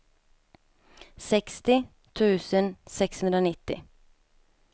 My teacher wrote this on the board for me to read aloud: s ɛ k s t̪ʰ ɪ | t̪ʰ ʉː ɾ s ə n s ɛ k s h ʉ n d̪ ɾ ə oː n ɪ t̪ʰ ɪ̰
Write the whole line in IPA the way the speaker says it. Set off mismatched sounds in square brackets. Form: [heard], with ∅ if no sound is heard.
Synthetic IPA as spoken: s ɛ k s [t̪] ɪ | t̪ʰ ʉː [∅] s ə n s ɛ k s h ʉ n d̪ ɾ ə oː n ɪ [t̪] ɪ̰